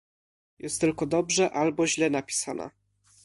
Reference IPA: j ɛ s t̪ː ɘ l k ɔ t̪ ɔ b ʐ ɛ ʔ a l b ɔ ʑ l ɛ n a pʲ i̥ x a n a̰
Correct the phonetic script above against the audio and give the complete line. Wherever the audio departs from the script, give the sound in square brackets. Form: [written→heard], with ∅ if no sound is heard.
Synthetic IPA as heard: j ɛ s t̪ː ɘ l k ɔ [t̪→d̪] ɔ b ʐ ɛ ʔ a l b ɔ ʑ l ɛ n a pʲ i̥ [x→s] a n a̰